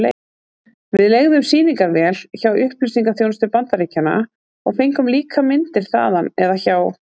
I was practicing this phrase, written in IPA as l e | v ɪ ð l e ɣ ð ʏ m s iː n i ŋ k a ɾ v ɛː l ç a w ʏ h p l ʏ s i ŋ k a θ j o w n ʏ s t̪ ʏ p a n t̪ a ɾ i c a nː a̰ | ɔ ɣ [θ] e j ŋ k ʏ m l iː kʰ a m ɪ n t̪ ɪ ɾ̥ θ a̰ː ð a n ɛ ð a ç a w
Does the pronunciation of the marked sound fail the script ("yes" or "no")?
yes